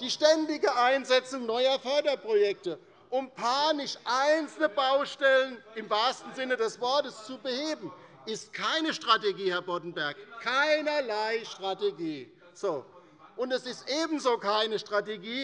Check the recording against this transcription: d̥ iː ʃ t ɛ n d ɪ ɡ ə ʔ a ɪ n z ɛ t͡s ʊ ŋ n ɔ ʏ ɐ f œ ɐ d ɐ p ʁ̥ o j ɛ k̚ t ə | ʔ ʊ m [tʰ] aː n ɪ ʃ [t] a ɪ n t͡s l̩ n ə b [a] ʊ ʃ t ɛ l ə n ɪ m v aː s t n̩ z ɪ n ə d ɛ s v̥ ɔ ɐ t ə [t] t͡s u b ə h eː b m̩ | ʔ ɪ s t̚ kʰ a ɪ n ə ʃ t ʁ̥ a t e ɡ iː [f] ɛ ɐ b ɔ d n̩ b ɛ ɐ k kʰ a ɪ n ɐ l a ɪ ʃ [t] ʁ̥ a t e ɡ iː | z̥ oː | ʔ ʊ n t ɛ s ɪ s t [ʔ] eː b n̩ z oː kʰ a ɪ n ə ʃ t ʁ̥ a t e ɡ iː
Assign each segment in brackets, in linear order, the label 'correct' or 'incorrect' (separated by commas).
incorrect, incorrect, correct, incorrect, incorrect, correct, correct